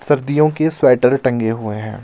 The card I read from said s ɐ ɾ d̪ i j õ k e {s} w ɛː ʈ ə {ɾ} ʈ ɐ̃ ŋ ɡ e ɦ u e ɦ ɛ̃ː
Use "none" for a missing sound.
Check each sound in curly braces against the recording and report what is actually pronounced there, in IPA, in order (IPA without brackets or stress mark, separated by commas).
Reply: s, ɾ